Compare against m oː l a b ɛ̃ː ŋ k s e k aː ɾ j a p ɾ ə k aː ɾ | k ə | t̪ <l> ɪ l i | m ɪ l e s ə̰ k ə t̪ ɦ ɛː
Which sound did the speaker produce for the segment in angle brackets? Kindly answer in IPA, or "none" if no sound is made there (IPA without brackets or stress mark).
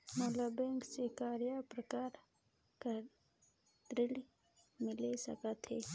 ɾ